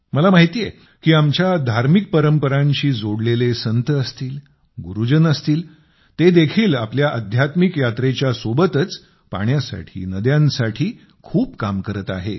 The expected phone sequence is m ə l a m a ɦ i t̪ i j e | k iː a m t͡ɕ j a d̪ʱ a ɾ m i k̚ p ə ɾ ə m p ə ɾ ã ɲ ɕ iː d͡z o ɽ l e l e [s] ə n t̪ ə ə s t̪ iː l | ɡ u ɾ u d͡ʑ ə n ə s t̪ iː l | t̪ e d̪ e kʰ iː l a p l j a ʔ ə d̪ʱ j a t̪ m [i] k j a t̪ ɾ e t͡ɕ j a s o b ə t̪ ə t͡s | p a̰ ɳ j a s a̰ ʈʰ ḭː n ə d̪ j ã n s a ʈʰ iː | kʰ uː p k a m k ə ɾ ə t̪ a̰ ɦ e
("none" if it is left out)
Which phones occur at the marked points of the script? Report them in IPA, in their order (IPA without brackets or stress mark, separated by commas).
s, i